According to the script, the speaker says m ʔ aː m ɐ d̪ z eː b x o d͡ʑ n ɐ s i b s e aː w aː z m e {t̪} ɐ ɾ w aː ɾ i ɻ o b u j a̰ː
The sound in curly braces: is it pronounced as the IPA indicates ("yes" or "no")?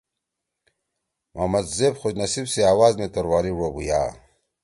yes